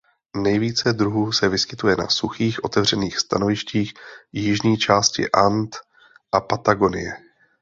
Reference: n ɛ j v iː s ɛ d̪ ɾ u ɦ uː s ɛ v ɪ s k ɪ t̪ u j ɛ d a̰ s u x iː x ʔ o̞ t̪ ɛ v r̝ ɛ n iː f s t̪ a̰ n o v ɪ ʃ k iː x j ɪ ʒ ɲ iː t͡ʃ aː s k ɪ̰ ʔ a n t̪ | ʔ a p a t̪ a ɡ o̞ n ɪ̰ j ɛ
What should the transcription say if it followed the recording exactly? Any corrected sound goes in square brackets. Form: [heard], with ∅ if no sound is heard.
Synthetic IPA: n ɛ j v iː [t͡s] ɛ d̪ ɾ u ɦ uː s ɛ v ɪ s k ɪ t̪ u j ɛ [n] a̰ s u x iː x ʔ o̞ t̪ ɛ v r̝ ɛ n iː [x] s t̪ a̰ n o v ɪ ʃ [c] iː x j ɪ ʒ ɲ iː t͡ʃ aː s [c] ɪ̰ ʔ a n t̪ | ʔ a p a t̪ a ɡ o̞ n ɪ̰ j ɛ